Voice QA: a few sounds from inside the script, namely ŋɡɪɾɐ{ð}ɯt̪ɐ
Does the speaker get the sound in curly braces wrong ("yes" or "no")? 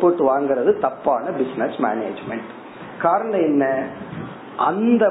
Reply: no